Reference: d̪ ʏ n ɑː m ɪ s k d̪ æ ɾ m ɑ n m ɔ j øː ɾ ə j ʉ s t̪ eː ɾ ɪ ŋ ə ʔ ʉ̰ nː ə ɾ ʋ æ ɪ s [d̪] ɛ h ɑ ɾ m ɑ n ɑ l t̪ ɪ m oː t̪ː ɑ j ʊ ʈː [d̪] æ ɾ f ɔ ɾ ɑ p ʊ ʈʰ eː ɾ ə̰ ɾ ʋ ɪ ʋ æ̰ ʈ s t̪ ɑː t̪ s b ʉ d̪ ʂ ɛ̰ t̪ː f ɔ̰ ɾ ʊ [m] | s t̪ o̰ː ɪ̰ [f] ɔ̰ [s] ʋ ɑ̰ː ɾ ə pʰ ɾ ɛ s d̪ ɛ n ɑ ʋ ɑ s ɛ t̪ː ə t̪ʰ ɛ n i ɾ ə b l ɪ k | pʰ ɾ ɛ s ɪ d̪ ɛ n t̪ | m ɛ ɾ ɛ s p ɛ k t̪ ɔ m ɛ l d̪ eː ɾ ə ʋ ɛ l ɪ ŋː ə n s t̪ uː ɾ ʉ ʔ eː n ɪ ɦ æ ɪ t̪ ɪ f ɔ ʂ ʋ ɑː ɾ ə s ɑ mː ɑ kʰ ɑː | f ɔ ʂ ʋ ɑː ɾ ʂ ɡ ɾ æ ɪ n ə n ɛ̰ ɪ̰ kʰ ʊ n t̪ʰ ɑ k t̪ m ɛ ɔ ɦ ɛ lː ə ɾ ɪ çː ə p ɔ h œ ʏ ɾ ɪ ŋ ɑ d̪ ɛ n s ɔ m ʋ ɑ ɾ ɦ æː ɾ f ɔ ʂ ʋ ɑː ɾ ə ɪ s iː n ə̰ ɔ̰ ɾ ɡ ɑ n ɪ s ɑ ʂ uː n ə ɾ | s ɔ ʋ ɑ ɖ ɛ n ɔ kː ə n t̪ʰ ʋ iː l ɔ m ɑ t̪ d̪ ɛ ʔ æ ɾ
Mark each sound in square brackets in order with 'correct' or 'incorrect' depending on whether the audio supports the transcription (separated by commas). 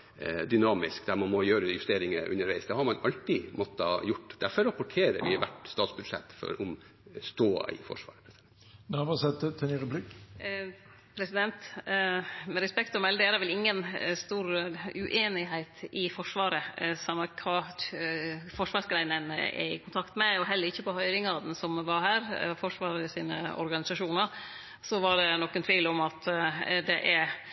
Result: correct, correct, correct, correct, incorrect